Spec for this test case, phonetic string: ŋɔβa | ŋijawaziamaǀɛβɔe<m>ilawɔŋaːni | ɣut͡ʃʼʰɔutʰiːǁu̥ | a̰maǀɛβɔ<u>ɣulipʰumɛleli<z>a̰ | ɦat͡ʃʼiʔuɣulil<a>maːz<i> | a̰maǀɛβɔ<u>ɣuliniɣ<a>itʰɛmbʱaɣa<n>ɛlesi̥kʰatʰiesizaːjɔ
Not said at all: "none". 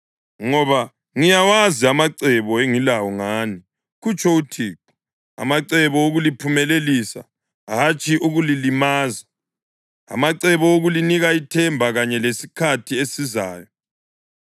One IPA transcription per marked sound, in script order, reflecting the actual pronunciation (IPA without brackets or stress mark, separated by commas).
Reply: ŋ, o, s, i, a, o, a, ɲ